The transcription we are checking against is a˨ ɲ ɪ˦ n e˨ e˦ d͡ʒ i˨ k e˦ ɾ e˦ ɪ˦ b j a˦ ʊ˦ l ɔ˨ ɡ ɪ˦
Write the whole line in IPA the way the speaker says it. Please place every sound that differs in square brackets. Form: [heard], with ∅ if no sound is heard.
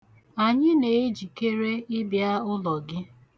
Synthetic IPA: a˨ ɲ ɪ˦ n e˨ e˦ d͡ʒ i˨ k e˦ ɾ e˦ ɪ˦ b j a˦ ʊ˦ l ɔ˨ ɡ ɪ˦